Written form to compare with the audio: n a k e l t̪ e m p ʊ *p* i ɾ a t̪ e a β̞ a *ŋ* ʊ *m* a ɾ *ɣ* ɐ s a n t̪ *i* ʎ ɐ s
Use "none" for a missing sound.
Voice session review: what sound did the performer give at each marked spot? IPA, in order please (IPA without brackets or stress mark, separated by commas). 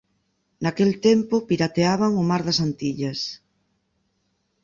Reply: p, ŋ, m, ð, i